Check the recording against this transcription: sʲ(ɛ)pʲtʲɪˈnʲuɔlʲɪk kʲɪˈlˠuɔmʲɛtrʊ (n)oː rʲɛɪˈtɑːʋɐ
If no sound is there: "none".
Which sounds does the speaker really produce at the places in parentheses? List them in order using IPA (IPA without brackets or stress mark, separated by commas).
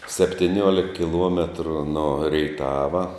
ɛ, n